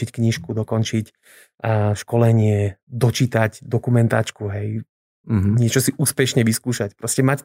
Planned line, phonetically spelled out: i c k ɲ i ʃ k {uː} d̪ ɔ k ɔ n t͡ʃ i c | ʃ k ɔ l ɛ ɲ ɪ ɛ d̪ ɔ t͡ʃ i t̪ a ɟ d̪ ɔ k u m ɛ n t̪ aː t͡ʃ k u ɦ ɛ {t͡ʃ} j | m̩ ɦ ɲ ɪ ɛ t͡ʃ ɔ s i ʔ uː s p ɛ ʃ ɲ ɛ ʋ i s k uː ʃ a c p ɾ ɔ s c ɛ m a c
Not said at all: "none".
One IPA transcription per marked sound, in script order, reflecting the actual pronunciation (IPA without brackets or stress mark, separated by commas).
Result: u, none